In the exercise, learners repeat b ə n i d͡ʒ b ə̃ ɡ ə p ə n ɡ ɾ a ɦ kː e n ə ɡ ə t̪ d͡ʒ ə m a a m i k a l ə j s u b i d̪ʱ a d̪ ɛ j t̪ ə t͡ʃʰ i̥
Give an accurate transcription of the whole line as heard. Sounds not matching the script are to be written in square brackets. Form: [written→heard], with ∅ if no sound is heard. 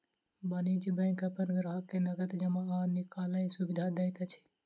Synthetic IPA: b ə n i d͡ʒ b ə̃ [ɡ→k] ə p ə n ɡ ɾ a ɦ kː e n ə ɡ ə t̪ d͡ʒ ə m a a [m→n] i k a l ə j s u b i d̪ʱ a d̪ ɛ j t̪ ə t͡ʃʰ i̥

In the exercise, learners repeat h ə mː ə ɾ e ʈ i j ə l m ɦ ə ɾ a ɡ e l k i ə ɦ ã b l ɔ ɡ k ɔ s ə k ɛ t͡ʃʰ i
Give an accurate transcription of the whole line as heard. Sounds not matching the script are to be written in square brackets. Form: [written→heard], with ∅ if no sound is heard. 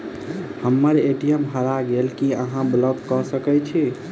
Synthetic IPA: h ə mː ə ɾ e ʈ i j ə [l→∅] m ɦ ə ɾ a ɡ e l k i ə ɦ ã b l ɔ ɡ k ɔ s ə k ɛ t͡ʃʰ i

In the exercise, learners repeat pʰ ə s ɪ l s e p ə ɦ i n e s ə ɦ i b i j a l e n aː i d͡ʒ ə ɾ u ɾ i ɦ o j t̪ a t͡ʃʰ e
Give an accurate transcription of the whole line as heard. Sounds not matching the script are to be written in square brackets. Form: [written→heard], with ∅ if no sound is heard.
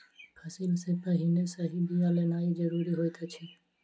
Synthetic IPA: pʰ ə s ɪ l s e p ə ɦ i n e s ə ɦ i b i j a l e n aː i d͡ʒ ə ɾ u ɾ i ɦ o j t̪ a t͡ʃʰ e

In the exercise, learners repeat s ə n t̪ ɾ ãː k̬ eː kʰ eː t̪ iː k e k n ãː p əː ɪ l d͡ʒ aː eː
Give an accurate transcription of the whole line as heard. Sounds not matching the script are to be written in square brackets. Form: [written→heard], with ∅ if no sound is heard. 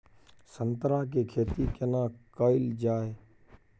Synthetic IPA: s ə n t̪ ɾ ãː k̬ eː kʰ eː t̪ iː k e [k→∅] n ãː [p→k] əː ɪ l d͡ʒ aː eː

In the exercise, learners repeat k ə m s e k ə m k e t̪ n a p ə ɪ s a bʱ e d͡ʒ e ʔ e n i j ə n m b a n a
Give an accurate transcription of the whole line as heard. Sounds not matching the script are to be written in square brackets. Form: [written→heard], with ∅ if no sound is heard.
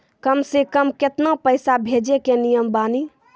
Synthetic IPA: k ə m s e k ə m k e t̪ n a p ə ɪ s a bʱ e d͡ʒ e [ʔ→k] e n i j ə [n→∅] m b a n [a→i]

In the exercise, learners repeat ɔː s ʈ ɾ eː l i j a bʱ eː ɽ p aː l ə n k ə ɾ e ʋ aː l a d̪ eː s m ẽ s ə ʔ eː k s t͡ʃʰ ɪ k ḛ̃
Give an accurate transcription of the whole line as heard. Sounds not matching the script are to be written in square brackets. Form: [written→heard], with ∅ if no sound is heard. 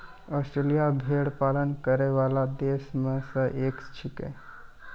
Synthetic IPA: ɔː s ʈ ɾ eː l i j a bʱ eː ɽ p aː l ə n k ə ɾ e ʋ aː l a d̪ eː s m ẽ s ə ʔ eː k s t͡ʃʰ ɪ k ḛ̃

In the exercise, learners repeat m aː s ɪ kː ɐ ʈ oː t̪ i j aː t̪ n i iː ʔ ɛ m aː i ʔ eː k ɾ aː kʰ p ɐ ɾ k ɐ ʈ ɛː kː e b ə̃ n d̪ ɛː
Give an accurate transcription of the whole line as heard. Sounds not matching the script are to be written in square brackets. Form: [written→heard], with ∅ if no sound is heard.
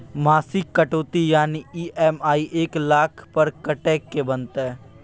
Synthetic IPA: m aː s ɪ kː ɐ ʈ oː t̪ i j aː [t̪→∅] n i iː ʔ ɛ m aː i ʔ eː k [ɾ→l] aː kʰ p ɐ ɾ k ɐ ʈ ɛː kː e b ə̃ n [d̪→t̪] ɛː

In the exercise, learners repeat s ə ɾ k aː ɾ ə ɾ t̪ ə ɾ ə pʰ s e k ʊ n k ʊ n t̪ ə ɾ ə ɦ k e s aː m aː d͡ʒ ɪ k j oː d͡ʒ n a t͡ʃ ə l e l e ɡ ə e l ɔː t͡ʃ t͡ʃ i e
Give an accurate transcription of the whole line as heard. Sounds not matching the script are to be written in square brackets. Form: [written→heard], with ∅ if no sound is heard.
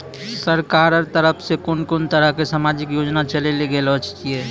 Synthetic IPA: s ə ɾ k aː ɾ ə ɾ t̪ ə ɾ ə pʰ s e k ʊ n k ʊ n t̪ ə ɾ ə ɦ k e s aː m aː d͡ʒ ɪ k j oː d͡ʒ n a t͡ʃ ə l e l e ɡ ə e l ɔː t͡ʃ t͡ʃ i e

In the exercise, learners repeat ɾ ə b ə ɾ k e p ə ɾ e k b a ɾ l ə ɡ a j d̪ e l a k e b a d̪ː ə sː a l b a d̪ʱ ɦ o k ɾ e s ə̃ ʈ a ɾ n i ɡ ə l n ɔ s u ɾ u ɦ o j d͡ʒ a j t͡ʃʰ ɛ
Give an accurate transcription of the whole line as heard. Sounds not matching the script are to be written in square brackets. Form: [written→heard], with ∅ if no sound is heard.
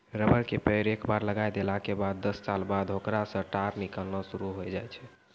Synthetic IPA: ɾ ə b ə ɾ k e p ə ɾ e k b a ɾ l ə ɡ a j d̪ e l a k e b a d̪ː ə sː a l b a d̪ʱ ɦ o k ɾ [e→a] s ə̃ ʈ a ɾ n i [ɡ→k] ə l n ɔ s u ɾ u ɦ o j d͡ʒ a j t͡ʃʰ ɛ

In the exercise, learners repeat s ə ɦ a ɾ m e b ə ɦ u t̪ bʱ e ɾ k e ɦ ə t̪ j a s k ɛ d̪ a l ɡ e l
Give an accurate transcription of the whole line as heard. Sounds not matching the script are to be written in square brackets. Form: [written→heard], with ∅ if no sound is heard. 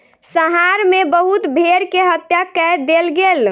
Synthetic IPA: s ə ɦ a ɾ m e b ə ɦ u t̪ bʱ e ɾ k e ɦ ə t̪ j a [s→∅] k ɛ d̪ [a→e] l ɡ e l

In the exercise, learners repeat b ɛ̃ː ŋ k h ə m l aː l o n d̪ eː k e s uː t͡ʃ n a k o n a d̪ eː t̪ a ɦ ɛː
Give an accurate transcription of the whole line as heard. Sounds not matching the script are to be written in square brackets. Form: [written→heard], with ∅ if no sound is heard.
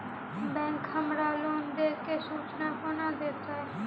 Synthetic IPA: b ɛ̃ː ŋ k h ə m [l→ɾ] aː l o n d̪ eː k e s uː t͡ʃ n a k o n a d̪ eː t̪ a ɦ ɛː

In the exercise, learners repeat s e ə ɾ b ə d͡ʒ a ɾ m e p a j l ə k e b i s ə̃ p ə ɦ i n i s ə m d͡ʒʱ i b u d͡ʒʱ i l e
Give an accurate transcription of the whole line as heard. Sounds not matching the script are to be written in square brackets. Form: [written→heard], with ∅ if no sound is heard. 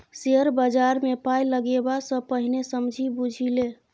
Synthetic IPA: s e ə ɾ b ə d͡ʒ a ɾ m e p a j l ə [k→ɡ] e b [i→a] s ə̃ p ə ɦ i n [i→e] s ə m d͡ʒʱ i b u d͡ʒʱ i l e

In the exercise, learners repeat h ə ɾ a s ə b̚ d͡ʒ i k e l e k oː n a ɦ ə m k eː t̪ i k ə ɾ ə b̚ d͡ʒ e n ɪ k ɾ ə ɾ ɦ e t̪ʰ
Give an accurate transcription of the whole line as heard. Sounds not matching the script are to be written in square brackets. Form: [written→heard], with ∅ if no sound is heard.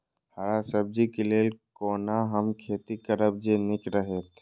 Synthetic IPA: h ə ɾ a s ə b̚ d͡ʒ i k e l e k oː n a ɦ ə m [k→kʰ] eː t̪ i k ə ɾ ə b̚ d͡ʒ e n ɪ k ɾ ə [ɾ→∅] ɦ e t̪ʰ

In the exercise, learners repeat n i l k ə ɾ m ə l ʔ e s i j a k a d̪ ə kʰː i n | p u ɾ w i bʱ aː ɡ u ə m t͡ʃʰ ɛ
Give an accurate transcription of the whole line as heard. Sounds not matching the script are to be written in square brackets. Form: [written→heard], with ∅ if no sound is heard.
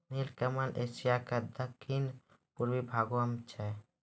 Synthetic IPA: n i l k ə [ɾ→∅] m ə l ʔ e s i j a k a d̪ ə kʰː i n | p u ɾ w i bʱ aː ɡ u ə m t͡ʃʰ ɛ

